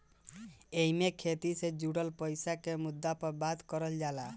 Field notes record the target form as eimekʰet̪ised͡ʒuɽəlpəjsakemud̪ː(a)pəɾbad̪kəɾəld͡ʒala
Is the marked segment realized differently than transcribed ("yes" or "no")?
no